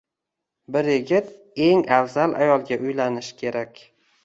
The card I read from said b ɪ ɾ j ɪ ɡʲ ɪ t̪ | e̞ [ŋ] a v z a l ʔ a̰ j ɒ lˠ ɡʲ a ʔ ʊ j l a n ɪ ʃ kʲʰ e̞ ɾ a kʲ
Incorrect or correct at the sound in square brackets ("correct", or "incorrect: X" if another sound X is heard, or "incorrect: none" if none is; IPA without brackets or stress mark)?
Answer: correct